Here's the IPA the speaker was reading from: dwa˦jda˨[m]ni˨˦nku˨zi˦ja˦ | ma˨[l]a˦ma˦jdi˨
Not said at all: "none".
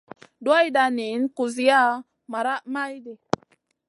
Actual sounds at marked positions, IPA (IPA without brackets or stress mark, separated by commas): none, ɾ